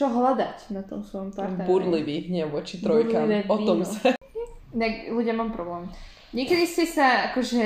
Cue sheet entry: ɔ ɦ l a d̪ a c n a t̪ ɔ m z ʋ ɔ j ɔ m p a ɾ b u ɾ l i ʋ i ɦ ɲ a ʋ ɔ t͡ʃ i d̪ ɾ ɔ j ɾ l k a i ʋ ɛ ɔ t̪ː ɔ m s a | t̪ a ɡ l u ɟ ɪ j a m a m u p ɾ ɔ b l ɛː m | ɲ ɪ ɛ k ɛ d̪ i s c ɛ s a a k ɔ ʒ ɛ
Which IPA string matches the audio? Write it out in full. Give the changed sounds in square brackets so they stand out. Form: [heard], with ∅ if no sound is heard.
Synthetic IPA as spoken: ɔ ɦ l a d̪ a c n a t̪ ɔ m [s] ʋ ɔ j ɔ m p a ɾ b u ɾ l i ʋ i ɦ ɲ [ɛ] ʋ ɔ t͡ʃ i [t̪] ɾ ɔ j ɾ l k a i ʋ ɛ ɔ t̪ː ɔ m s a | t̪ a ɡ l u ɟ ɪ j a m a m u p ɾ ɔ b l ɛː m | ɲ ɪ ɛ k ɛ d̪ i s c ɛ s a a k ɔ ʒ ɛ